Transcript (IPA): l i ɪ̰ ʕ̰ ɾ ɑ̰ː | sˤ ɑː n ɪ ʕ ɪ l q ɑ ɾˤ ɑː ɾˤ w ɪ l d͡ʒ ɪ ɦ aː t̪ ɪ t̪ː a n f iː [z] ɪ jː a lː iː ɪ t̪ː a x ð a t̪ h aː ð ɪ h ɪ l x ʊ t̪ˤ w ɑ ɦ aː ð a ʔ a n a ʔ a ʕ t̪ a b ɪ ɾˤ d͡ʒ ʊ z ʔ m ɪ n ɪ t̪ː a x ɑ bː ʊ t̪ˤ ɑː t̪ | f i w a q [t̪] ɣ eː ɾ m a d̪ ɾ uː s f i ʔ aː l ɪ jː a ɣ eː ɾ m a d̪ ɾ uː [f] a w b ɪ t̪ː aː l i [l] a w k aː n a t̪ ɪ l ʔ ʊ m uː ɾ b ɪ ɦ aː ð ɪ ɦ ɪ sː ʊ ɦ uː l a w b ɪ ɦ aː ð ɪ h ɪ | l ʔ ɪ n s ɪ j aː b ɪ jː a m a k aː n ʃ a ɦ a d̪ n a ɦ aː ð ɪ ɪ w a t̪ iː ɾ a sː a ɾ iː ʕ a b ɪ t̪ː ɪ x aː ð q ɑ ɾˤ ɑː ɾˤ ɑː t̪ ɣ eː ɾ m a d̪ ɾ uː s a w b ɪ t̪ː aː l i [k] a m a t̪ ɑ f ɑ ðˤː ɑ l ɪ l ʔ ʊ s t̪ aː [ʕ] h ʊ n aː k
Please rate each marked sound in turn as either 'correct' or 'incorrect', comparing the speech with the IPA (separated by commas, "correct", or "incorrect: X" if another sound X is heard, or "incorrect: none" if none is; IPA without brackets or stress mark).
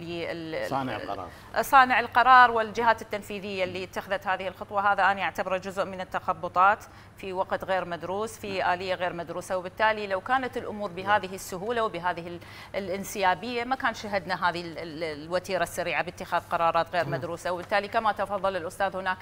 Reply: incorrect: ð, correct, incorrect: s, correct, correct, incorrect: ð